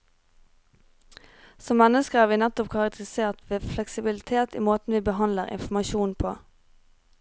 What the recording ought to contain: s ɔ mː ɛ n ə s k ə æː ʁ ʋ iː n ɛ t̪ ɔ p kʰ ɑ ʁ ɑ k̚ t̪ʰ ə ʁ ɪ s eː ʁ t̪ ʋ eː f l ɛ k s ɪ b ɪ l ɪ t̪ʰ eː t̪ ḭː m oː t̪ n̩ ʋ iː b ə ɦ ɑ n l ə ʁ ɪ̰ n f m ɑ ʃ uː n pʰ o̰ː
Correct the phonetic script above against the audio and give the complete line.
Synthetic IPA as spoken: s ɔ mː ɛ n ə s k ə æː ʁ ʋ iː n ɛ t̪ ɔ p kʰ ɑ ʁ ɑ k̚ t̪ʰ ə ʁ ɪ s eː ʁ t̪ ʋ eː f l ɛ k s ɪ b ɪ l ɪ t̪ʰ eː t̪ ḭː m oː t̪ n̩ ʋ iː b ə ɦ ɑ n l ə ʁ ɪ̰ n f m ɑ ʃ uː n pʰ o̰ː